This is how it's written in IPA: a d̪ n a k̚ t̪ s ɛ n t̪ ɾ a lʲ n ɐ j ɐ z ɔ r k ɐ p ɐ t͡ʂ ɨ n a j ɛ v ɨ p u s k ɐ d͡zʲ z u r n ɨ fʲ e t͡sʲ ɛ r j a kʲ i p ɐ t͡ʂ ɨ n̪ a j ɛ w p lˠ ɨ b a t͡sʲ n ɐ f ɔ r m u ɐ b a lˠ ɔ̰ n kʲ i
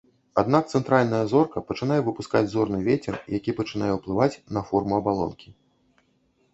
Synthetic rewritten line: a d̪ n a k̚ t̪ s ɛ n t̪ ɾ a lʲ n ɐ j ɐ z ɔ r k ɐ p ɐ t͡ʂ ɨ n a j ɛ v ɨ p u s k a d͡zʲ z ɔ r n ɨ vʲ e t͡sʲ ɛ r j a kʲ i p ɐ t͡ʂ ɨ n̪ a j ɛ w p lˠ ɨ v a t͡sʲ n ɐ f ɔ r m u ɐ b a lˠ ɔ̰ n kʲ i